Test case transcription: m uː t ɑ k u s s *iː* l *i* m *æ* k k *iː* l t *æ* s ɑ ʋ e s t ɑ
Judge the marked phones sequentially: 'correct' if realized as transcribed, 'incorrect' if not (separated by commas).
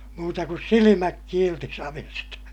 incorrect, correct, correct, correct, incorrect